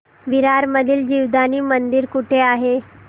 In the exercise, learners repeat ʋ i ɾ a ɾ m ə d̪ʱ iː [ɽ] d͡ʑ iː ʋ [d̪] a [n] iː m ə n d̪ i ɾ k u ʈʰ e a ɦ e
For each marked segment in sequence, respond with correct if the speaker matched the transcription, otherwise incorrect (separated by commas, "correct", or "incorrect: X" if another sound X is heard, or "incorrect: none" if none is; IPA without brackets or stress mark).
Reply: incorrect: l, correct, correct